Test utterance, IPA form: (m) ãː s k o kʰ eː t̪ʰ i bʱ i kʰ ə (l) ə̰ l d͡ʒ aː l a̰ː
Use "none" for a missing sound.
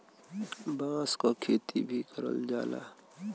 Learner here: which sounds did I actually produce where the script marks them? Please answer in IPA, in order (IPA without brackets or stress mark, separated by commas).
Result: b, ɾ